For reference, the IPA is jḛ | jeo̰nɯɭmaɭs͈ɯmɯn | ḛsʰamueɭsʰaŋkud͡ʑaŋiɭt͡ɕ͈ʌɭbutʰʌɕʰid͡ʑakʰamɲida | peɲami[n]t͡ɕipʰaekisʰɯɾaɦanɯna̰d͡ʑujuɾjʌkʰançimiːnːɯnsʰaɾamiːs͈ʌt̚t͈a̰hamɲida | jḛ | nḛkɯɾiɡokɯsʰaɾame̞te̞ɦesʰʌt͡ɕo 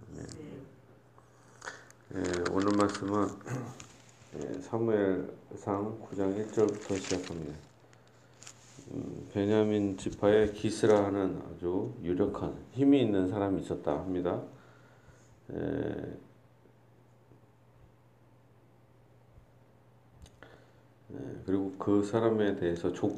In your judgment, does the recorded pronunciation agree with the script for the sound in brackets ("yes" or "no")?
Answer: yes